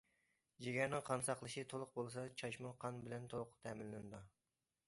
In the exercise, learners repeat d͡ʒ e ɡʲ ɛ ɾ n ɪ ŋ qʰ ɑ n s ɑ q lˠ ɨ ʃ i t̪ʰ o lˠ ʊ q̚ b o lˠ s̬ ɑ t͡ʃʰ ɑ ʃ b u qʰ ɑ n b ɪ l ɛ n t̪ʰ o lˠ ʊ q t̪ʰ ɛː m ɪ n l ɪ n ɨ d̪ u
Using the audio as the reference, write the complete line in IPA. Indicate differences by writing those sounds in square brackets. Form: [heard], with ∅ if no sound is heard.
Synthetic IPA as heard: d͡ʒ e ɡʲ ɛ ɾ n ɪ ŋ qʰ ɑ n s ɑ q lˠ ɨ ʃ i t̪ʰ o lˠ ʊ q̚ b o lˠ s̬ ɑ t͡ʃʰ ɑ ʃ [m] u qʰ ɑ n b ɪ l ɛ n t̪ʰ o lˠ ʊ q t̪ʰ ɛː m ɪ n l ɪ n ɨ d̪ u